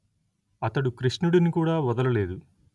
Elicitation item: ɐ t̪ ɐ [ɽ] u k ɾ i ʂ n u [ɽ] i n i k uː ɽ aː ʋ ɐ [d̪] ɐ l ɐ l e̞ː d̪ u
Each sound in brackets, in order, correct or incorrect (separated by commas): correct, correct, correct